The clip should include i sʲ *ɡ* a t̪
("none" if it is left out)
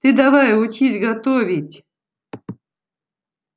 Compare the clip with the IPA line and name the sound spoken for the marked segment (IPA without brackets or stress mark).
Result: ɡ